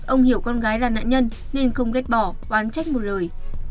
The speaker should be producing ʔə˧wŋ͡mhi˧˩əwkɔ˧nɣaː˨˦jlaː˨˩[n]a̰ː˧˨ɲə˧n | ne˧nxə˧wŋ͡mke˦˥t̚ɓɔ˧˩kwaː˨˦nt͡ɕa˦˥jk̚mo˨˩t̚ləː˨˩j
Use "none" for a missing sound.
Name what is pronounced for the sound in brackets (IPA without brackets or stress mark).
n